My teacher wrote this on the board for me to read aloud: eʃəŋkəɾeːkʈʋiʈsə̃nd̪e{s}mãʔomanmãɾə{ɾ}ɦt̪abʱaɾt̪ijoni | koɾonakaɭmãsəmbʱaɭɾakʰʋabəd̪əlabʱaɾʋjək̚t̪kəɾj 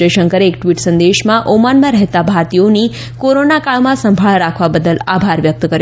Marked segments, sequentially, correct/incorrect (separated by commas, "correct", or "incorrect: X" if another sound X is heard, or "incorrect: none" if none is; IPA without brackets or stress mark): incorrect: ʃ, incorrect: none